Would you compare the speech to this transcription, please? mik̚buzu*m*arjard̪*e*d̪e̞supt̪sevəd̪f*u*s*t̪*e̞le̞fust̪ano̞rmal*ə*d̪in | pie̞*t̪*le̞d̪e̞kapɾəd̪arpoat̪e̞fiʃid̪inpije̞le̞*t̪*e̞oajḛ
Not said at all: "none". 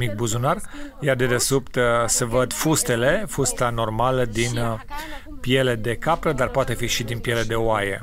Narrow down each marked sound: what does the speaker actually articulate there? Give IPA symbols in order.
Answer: n, e, u, t̪, ə, none, d̪

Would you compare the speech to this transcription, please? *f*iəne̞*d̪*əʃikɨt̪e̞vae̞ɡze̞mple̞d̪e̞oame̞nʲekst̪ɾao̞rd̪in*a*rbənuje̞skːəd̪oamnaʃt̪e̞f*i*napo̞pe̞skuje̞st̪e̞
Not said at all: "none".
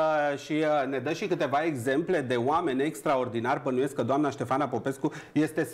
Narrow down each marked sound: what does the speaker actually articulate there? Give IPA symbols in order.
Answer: ʃ, d̪, a, a

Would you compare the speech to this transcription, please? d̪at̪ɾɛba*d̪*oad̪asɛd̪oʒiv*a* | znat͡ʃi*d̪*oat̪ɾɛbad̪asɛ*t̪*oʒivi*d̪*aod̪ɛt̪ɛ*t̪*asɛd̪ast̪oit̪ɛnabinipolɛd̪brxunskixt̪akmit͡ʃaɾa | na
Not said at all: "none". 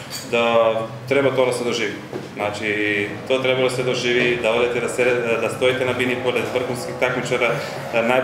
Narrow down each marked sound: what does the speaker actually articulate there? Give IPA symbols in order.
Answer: t̪, i, t̪, d̪, d̪, d̪

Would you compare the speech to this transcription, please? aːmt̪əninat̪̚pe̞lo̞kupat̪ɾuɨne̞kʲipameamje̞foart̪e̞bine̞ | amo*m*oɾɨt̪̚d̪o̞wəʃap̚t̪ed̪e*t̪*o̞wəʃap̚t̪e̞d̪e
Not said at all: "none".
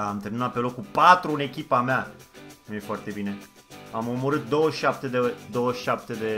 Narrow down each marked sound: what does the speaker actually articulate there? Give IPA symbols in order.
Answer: m, d̪

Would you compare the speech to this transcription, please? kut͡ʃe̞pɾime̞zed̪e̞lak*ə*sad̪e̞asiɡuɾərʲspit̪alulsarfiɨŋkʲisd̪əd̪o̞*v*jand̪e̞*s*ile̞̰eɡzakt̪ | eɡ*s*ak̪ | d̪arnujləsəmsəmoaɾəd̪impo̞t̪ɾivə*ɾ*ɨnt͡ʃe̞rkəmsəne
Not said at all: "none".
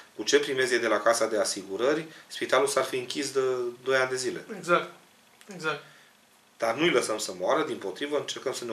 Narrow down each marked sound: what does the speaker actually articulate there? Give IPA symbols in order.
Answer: a, none, z, z, none

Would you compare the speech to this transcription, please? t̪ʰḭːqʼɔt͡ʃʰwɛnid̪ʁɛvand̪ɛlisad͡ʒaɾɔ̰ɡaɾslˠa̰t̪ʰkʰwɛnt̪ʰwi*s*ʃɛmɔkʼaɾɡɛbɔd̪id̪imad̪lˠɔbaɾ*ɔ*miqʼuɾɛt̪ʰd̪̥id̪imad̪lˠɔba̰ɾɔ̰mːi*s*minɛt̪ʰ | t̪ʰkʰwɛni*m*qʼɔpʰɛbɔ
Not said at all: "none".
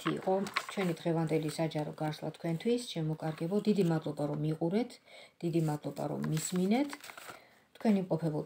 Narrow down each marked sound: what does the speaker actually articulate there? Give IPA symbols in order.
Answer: s, ɔ, s, m

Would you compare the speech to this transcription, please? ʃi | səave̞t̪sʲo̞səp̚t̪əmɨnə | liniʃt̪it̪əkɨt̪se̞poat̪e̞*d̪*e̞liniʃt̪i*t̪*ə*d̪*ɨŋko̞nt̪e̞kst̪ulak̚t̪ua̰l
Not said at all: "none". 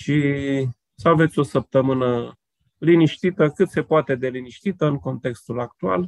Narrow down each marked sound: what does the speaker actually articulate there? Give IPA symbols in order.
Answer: d̪, t̪, none

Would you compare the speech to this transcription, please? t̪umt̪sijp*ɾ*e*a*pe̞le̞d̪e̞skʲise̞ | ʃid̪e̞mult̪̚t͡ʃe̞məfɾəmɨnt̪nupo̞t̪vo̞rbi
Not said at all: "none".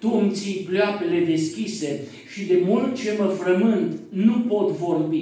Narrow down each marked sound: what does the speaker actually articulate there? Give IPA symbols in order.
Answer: l, a

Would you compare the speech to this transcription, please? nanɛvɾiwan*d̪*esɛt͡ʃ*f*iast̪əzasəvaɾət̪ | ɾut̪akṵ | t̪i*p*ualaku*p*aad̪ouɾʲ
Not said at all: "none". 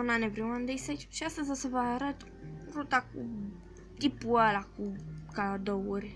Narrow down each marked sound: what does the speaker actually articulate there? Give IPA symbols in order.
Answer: d̪, ʃ, p, k

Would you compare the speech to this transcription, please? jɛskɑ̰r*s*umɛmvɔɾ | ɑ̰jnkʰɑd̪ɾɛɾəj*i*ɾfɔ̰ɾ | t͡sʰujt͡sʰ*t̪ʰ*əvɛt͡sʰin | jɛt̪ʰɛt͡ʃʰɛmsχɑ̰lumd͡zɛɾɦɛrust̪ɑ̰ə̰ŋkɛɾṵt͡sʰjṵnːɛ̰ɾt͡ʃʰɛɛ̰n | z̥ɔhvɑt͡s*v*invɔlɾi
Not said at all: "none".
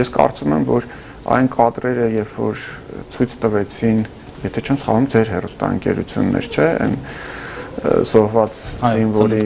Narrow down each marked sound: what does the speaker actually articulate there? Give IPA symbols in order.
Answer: t͡s, ɛ, t̪, z

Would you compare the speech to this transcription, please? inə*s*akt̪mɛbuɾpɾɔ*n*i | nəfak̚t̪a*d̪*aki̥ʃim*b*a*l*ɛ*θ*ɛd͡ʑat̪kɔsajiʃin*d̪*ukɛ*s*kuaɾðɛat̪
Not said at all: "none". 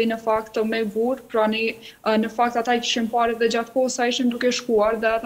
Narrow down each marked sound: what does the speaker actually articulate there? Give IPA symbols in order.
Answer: f, n, t̪, p, ɾ, ð, d̪, ʃ

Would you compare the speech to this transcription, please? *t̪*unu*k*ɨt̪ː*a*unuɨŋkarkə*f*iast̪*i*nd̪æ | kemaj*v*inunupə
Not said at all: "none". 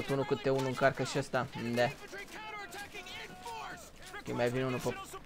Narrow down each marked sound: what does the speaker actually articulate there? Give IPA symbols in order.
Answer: t̪, k, e, ʃ, a, v

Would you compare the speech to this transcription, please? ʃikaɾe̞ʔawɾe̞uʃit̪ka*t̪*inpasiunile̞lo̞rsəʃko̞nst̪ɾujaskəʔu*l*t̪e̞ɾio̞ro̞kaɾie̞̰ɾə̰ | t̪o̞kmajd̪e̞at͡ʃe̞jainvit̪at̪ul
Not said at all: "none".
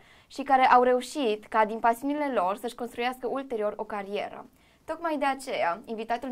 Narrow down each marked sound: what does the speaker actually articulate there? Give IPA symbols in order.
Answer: d̪, l

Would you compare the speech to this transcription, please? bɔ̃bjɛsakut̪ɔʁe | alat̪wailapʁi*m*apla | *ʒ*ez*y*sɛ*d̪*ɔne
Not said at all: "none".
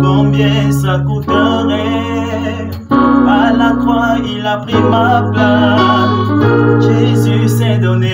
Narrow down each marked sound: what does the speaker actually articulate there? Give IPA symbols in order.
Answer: m, ʒ, y, d̪

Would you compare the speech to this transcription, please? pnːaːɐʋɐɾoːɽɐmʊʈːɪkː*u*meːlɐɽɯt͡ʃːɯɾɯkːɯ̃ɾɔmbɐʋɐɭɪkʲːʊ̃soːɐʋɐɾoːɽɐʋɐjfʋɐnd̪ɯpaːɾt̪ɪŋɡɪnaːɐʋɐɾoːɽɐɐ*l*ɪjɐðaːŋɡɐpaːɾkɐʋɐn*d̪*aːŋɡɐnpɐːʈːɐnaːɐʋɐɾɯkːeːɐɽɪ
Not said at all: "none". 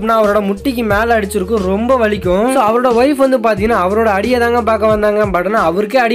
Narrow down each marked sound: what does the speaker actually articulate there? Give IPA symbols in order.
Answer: ɯ, ɽ, d̪

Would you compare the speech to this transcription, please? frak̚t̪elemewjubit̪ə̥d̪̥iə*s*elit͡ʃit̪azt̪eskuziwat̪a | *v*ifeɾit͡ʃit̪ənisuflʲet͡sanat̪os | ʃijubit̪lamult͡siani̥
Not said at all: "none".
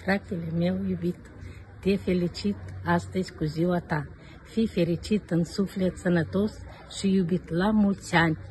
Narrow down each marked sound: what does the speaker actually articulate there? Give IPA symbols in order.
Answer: f, f

